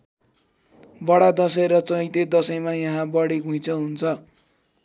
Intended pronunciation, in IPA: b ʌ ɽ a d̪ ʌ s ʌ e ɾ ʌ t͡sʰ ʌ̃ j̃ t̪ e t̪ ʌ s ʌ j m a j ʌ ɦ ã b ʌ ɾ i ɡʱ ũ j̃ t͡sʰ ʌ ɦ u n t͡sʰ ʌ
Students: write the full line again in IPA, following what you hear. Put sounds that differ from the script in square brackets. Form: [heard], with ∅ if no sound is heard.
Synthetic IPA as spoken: b ʌ ɽ a d̪ ʌ s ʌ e ɾ ʌ [t͡s] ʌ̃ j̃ t̪ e [d̪] ʌ s ʌ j m a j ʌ ɦ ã b ʌ [ɽ] i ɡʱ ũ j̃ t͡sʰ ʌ ɦ u n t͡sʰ ʌ